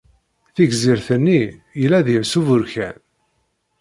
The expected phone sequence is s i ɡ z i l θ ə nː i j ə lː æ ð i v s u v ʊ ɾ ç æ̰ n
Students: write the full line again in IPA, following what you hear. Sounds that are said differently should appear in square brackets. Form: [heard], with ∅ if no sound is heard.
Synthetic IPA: [θ] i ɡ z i [ɾ] θ ə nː i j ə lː æ ð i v s u v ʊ ɾ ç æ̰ n